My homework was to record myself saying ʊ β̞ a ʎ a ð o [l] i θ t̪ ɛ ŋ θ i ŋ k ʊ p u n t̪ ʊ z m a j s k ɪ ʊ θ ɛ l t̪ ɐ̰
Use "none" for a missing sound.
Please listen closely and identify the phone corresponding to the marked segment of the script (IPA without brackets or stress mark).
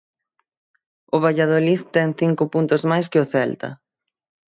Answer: l